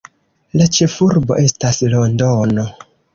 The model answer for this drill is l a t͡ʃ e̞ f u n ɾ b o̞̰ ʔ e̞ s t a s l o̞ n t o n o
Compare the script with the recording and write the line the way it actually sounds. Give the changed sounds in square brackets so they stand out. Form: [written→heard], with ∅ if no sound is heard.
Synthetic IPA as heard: l a t͡ʃ e̞ f u [n→∅] ɾ b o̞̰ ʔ e̞ s t a s l o̞ n [t→d] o n o